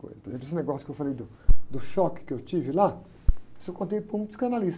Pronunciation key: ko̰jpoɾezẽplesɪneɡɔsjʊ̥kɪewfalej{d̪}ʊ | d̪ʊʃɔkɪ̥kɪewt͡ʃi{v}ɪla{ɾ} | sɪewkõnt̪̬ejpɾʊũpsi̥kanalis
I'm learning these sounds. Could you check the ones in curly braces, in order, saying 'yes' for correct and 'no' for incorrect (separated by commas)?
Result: yes, yes, no